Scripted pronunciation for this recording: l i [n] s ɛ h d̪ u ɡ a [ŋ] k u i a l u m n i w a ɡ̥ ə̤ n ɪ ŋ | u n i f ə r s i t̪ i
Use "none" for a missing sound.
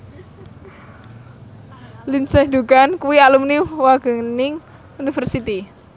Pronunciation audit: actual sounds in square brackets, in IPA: n, n

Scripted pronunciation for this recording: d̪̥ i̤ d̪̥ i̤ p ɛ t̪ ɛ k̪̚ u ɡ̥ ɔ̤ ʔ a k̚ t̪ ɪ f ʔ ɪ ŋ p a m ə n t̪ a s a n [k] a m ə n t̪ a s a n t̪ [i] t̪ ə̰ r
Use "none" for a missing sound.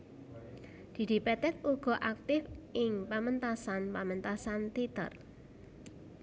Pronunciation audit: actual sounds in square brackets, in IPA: p, i

